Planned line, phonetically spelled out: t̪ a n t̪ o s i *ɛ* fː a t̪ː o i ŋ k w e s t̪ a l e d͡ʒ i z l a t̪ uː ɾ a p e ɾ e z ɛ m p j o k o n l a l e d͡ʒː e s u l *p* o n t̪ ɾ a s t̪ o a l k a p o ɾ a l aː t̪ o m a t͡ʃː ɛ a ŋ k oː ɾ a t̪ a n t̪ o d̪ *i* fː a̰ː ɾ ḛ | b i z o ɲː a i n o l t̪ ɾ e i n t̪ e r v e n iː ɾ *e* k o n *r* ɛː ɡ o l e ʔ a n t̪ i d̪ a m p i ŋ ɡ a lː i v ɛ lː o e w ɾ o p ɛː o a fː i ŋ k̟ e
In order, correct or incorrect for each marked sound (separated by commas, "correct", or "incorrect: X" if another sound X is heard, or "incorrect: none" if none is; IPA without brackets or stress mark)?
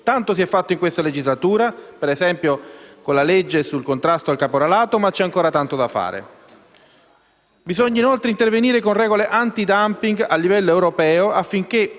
correct, incorrect: k, incorrect: a, correct, correct